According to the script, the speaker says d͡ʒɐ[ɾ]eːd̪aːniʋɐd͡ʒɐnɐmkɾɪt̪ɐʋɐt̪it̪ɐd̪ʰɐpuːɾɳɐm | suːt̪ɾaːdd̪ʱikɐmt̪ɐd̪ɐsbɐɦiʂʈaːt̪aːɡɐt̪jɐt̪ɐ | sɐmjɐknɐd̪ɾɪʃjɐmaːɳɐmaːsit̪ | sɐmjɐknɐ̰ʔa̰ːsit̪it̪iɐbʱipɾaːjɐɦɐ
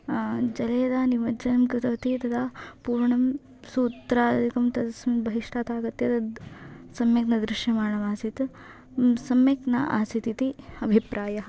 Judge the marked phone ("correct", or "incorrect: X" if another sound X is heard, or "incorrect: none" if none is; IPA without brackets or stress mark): incorrect: l